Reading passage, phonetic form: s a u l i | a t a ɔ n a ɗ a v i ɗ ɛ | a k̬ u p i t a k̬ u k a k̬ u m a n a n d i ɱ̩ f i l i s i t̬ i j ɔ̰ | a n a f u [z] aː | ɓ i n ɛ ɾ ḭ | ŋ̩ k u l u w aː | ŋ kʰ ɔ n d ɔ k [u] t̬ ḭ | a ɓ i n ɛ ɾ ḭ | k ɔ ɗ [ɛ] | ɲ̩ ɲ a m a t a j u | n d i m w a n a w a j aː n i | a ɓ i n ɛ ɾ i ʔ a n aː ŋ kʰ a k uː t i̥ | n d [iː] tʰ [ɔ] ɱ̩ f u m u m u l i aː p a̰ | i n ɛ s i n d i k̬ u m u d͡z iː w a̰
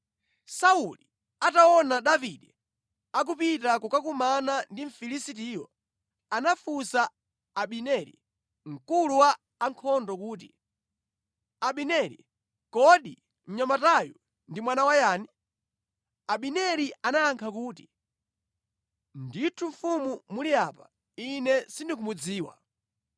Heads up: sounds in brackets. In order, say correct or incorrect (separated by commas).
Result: incorrect, incorrect, incorrect, incorrect, incorrect